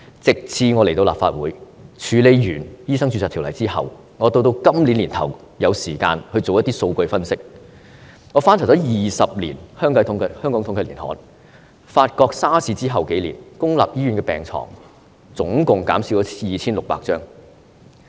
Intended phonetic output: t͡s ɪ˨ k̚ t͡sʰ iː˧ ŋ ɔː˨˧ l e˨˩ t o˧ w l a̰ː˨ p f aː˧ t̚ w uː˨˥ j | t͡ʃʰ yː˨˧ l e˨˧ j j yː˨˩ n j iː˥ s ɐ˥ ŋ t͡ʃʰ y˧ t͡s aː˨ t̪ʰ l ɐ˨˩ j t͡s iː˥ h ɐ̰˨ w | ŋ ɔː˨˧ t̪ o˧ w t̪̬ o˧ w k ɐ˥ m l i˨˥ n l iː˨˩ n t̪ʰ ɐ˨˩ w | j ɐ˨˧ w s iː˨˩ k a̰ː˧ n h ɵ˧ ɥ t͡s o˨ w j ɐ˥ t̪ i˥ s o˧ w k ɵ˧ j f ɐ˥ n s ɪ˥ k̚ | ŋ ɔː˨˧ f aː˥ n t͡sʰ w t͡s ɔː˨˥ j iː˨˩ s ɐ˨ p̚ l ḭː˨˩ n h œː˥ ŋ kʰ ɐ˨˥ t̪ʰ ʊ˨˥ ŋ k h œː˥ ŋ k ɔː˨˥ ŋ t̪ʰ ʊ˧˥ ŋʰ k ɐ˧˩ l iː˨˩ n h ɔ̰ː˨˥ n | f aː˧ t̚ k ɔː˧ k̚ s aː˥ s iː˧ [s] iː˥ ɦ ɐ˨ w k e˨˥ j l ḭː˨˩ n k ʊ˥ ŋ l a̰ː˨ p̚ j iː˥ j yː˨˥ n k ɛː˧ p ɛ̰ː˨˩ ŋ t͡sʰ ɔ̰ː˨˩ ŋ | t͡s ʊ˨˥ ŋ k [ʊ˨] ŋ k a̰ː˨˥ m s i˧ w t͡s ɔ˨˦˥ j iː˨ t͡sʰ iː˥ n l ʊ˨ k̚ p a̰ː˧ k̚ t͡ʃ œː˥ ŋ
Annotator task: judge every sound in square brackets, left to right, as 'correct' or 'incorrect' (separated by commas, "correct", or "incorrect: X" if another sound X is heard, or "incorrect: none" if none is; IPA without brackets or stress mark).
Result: incorrect: t͡s, correct